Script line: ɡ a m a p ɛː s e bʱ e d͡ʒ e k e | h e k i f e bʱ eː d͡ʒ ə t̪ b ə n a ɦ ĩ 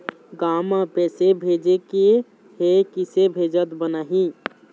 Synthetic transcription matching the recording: ɡ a m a p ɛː s e bʱ e d͡ʒ e k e | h e k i s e bʱ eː d͡ʒ ə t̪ b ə n a ɦ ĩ